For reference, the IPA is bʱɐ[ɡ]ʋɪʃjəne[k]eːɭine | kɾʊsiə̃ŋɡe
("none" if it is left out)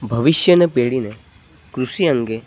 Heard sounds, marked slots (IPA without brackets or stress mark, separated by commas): none, p